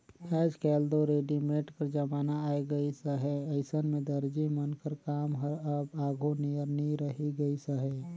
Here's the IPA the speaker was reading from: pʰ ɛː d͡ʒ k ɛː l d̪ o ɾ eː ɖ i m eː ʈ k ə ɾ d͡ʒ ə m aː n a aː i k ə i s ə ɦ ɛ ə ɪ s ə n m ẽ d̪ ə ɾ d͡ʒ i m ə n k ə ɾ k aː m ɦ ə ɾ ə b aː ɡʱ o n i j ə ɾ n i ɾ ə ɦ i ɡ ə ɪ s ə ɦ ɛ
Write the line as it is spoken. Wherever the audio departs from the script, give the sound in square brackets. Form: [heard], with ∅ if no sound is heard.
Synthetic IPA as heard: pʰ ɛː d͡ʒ k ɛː l d̪ o ɾ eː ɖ i m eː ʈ k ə ɾ d͡ʒ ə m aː n a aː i [ɡ] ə i s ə ɦ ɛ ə ɪ s ə n m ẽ d̪ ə ɾ d͡ʒ i m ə n k ə ɾ k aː m ɦ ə ɾ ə b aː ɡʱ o n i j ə ɾ n i ɾ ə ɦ i ɡ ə [i] s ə ɦ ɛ